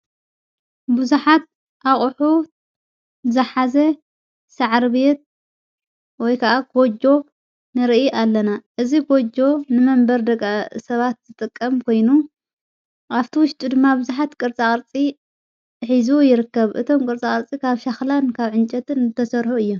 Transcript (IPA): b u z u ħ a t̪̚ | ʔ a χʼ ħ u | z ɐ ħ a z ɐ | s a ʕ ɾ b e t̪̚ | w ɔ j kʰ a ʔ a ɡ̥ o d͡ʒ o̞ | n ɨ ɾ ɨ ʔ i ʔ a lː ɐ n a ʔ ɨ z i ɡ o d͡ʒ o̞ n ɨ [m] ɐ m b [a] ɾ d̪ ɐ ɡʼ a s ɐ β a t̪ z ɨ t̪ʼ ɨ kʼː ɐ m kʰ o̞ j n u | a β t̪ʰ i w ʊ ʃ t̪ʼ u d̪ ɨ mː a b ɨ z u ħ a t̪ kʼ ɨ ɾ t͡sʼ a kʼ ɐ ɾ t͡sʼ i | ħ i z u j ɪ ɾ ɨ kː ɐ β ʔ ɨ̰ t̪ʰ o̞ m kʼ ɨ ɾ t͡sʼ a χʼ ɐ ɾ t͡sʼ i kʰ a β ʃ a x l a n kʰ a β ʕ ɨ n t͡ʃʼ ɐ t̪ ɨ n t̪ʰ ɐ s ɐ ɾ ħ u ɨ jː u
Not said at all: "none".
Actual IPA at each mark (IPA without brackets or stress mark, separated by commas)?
m, ɐ